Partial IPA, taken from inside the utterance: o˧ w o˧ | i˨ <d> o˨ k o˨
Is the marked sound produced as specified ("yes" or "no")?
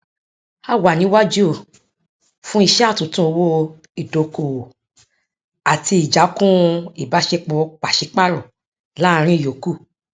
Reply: yes